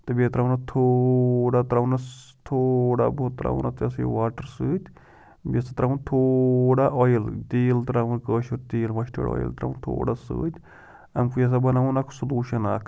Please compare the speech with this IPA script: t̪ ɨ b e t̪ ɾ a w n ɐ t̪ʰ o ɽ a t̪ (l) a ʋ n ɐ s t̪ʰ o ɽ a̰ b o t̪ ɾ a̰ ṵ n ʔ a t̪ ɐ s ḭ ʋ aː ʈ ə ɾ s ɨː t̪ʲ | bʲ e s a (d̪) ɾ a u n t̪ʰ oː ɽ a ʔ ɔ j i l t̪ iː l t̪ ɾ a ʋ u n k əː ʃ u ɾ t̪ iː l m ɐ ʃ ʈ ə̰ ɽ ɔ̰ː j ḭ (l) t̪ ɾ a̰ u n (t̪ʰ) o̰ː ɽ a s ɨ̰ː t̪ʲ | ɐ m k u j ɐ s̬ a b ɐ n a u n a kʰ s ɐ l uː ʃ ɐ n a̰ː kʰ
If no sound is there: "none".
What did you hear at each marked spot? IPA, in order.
ɾ, t̪, l, t̪ʰ

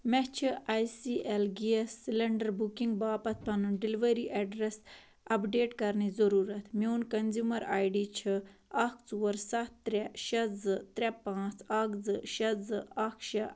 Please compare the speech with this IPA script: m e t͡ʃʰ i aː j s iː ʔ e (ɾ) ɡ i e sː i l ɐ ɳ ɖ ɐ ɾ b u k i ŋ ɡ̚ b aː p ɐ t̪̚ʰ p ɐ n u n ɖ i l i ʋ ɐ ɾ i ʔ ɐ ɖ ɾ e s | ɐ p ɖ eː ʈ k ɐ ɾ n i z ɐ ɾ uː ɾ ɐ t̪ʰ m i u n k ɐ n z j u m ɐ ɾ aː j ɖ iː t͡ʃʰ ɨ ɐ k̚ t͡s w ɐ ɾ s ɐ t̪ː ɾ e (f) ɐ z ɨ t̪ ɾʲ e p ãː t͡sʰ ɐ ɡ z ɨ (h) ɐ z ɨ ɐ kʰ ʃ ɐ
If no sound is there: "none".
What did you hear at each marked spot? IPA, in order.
l, ʃ, ʃ

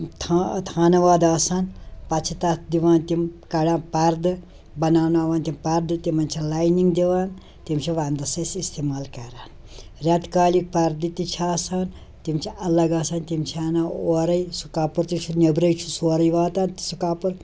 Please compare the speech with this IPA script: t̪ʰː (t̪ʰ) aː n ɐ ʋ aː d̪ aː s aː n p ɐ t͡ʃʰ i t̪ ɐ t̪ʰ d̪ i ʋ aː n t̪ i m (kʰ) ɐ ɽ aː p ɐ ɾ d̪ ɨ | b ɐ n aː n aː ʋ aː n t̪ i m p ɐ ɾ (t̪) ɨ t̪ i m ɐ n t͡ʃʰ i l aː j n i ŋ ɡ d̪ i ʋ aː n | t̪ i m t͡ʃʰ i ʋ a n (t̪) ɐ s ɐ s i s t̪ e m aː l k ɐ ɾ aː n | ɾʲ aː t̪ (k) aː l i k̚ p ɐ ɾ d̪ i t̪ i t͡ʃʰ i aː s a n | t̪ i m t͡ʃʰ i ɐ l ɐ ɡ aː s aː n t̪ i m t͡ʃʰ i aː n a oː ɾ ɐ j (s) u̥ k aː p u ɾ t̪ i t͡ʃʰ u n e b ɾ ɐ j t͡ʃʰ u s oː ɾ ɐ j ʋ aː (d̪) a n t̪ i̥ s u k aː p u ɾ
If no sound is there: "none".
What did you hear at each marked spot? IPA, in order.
t̪ʰ, k, d̪, d̪, k, s, t̪

